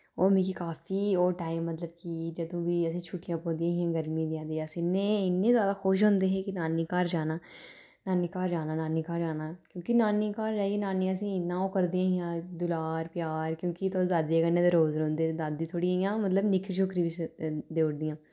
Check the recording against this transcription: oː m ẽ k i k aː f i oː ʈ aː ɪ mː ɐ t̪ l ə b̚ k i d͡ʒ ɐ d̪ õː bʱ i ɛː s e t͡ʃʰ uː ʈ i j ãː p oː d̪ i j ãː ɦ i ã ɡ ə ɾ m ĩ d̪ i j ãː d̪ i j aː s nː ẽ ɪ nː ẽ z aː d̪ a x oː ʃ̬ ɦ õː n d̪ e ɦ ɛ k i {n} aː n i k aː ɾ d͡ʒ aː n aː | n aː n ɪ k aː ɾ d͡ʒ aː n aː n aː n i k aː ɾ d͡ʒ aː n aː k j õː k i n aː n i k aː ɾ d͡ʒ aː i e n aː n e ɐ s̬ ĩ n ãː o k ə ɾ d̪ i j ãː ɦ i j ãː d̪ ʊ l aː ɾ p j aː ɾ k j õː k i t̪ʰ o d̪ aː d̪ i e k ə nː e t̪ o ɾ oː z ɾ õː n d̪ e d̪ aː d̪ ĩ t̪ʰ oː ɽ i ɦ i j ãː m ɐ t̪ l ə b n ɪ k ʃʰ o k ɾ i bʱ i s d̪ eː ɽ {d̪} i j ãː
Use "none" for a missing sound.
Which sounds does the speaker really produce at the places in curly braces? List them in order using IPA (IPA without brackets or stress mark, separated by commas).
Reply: n, d̪